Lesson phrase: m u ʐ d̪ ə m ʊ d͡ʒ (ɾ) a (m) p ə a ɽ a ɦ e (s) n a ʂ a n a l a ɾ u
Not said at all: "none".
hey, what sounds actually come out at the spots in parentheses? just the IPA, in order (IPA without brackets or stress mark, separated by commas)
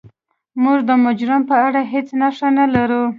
ɾ, m, t͡s